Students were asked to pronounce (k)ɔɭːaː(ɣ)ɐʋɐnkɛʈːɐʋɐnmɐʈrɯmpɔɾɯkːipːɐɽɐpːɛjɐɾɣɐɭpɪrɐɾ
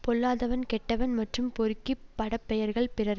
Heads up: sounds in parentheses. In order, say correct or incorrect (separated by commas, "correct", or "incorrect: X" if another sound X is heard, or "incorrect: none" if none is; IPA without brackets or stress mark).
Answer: incorrect: p, incorrect: ð